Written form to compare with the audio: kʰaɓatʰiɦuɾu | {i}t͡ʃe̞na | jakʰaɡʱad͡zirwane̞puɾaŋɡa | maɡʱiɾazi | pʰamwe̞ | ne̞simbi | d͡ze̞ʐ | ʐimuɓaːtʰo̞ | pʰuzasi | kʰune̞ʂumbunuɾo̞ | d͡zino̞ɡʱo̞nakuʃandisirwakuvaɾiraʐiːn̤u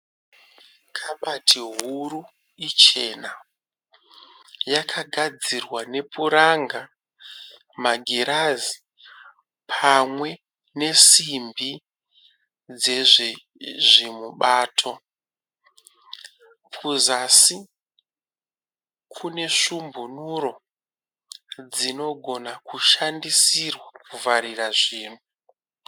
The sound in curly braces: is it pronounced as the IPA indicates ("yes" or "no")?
yes